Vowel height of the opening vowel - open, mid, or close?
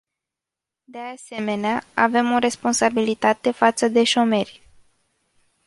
mid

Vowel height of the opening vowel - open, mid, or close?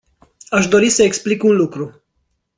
open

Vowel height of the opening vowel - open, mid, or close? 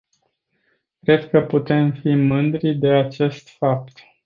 mid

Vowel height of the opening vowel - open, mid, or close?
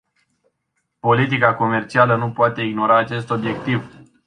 mid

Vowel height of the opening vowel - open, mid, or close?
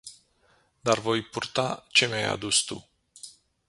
open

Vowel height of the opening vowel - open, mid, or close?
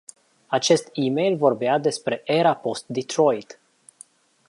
open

